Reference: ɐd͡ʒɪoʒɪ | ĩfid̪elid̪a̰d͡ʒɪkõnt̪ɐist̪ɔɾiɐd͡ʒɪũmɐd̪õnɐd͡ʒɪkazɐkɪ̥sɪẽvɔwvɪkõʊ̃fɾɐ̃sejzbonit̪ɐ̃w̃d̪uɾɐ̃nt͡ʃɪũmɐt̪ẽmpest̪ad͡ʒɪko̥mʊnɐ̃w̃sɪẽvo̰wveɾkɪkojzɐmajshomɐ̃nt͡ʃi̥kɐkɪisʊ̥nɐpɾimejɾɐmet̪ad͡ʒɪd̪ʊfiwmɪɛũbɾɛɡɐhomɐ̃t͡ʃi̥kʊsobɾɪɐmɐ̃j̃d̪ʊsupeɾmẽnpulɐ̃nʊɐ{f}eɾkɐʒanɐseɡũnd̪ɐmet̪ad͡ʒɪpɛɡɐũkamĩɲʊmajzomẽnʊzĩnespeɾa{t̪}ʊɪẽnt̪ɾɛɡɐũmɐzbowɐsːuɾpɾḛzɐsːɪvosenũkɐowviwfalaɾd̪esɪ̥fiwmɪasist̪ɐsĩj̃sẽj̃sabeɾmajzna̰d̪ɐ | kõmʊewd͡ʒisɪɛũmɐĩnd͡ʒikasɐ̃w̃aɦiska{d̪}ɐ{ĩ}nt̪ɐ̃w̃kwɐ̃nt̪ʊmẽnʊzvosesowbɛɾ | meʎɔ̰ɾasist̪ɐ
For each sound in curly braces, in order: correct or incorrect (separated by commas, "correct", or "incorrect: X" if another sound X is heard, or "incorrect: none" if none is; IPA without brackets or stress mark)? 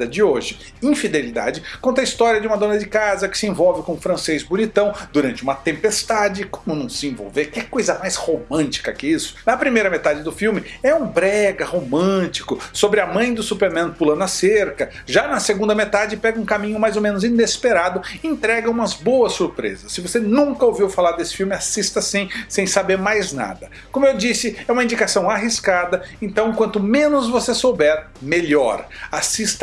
incorrect: s, incorrect: d̪, correct, incorrect: ẽ